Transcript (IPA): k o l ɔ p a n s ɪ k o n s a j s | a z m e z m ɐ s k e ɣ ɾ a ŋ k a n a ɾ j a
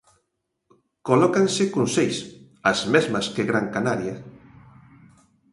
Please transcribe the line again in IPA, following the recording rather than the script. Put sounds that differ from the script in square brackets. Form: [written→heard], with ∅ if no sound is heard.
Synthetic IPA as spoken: k o l ɔ [p→k] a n s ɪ k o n s [a→e] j s | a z m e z m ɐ s k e ɣ ɾ a ŋ k a n a ɾ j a